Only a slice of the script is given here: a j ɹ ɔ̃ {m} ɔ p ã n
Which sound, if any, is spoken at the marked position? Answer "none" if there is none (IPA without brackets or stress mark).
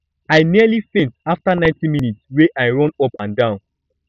n